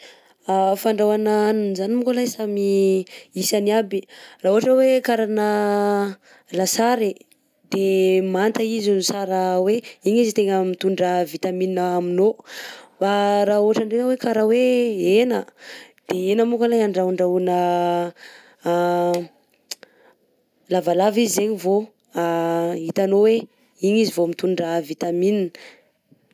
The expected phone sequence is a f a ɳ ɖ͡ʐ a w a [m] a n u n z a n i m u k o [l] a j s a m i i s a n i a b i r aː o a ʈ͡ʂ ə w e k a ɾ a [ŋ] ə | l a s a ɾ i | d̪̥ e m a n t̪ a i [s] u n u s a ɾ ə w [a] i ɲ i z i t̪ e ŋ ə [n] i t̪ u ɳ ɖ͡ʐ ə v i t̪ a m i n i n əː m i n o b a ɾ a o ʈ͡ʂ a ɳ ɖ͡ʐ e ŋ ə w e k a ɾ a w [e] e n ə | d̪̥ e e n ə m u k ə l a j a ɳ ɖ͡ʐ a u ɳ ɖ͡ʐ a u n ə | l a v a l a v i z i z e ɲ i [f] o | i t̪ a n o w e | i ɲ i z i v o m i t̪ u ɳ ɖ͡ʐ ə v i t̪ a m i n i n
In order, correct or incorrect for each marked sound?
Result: incorrect, correct, incorrect, incorrect, incorrect, incorrect, correct, incorrect

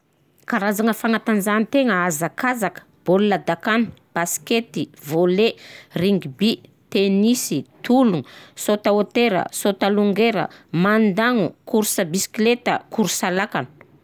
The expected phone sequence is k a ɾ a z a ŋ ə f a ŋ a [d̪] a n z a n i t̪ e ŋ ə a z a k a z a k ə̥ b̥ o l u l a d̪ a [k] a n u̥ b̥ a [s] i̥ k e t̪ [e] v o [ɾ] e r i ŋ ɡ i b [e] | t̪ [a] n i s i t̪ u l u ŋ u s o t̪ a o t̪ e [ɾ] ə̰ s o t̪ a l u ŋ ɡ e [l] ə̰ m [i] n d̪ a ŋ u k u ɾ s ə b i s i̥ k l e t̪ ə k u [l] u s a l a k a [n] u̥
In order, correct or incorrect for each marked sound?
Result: incorrect, correct, correct, incorrect, incorrect, incorrect, incorrect, correct, incorrect, incorrect, incorrect, correct

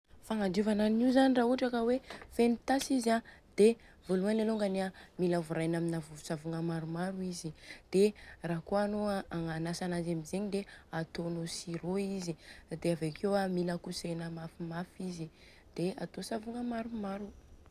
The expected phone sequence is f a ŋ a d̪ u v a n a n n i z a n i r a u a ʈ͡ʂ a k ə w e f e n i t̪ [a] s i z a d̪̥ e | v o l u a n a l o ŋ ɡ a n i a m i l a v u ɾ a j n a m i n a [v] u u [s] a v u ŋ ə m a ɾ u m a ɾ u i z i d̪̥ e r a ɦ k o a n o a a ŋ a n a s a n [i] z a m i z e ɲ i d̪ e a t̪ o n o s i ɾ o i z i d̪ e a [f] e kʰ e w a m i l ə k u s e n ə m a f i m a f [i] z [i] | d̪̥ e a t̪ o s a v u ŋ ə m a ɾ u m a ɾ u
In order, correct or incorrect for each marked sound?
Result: correct, correct, correct, incorrect, incorrect, correct, correct

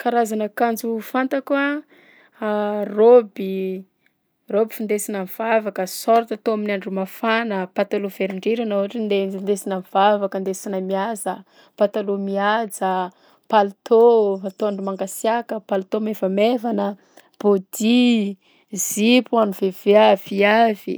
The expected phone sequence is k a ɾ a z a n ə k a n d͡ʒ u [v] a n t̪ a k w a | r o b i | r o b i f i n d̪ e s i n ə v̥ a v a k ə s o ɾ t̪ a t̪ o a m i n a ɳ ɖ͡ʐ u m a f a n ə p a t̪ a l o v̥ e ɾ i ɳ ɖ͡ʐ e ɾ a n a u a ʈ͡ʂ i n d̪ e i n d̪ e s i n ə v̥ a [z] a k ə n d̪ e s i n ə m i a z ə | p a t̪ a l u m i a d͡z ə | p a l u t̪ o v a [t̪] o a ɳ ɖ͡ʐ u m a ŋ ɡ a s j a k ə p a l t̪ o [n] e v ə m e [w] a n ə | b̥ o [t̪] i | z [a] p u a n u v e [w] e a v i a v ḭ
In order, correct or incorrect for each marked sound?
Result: incorrect, incorrect, correct, incorrect, incorrect, incorrect, incorrect, incorrect

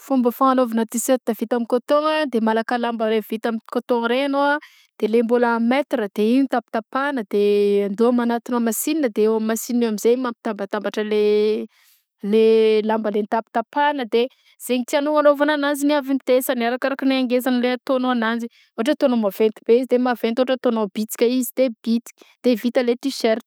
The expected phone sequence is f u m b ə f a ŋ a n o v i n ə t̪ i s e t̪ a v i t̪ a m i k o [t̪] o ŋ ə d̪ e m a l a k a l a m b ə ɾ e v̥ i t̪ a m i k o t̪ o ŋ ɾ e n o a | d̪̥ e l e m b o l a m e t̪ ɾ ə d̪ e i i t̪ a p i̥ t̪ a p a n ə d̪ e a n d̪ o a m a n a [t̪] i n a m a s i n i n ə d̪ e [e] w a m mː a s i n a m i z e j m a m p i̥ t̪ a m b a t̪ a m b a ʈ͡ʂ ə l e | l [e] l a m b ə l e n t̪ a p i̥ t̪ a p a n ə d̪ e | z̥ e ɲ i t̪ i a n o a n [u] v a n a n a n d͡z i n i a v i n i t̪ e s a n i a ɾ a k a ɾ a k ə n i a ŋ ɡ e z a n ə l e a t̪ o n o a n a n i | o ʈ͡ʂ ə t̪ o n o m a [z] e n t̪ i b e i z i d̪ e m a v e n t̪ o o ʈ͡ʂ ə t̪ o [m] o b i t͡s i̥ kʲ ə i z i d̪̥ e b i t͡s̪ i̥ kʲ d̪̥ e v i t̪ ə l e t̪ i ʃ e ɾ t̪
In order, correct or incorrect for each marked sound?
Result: correct, correct, correct, correct, incorrect, incorrect, incorrect

